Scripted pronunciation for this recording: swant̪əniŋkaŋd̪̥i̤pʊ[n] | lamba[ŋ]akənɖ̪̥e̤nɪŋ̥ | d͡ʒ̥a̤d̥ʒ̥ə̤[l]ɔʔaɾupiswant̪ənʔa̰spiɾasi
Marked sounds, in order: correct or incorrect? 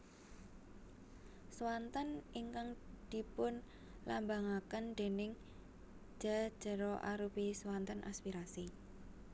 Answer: correct, correct, incorrect: ɾ

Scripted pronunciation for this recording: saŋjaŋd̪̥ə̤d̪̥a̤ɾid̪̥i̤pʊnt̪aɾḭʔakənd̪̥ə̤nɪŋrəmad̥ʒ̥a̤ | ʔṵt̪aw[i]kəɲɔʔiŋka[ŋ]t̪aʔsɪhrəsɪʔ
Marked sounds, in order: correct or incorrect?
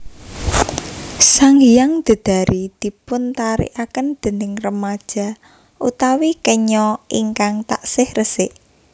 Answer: correct, correct

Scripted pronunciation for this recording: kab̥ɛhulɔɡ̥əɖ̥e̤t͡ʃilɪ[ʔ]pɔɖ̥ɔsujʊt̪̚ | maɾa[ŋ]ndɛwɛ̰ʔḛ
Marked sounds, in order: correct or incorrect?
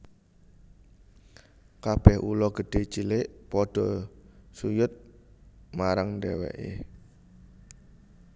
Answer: correct, correct

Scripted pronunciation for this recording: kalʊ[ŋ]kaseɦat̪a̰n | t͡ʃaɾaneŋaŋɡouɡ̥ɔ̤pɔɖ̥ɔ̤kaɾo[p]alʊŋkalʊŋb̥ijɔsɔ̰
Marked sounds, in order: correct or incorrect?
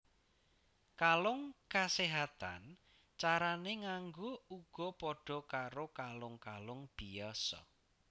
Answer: correct, incorrect: k

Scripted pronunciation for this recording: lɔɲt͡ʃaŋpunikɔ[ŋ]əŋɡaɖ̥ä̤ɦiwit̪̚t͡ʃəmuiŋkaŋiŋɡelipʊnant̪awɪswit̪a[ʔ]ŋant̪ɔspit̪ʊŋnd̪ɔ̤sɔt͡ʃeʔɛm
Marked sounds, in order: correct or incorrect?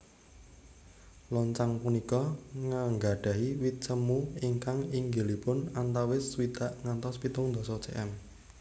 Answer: correct, correct

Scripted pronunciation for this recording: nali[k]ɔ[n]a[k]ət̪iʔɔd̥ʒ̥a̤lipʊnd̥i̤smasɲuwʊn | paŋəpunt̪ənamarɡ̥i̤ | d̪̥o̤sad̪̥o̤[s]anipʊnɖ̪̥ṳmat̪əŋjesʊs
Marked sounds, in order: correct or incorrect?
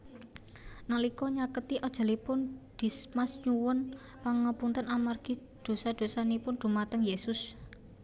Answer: correct, incorrect: ɲ, correct, correct

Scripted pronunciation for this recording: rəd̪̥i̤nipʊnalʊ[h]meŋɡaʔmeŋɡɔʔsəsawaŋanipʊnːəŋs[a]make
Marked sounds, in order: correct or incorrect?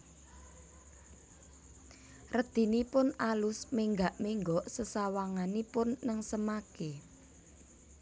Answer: incorrect: s, incorrect: ə

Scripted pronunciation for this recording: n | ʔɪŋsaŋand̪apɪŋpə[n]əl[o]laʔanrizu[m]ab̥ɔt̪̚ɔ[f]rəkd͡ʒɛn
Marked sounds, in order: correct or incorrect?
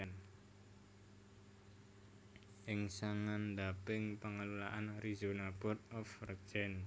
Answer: incorrect: ŋ, incorrect: u, incorrect: n, correct

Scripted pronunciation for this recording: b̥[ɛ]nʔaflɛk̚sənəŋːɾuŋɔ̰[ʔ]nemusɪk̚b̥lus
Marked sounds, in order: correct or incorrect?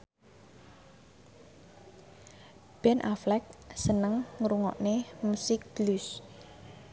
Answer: correct, correct

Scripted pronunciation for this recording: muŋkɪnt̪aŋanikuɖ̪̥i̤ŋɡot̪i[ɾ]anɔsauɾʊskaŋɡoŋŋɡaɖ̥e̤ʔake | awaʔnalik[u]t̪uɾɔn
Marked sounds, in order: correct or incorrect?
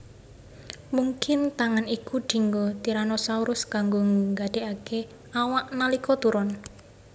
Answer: correct, incorrect: ɔ

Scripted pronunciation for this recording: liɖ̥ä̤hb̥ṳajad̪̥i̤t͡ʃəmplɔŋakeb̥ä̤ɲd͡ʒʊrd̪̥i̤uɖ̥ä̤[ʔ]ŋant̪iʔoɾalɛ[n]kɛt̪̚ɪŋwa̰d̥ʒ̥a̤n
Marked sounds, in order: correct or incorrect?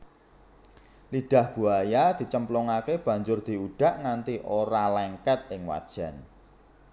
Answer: correct, incorrect: ŋ

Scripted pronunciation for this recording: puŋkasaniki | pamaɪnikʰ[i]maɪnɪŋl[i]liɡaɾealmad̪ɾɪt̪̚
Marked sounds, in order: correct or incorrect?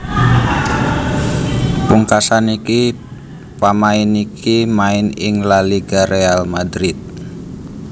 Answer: correct, incorrect: a

